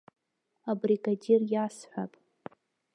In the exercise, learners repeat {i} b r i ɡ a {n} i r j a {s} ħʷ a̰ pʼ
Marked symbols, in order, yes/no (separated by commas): no, no, yes